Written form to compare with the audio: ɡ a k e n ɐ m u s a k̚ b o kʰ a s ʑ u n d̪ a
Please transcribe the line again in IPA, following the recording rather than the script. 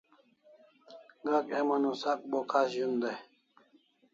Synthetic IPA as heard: ɡ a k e m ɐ n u s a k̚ b o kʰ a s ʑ u n d̪ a